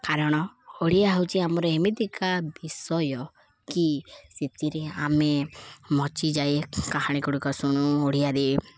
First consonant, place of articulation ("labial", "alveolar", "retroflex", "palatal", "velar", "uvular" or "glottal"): velar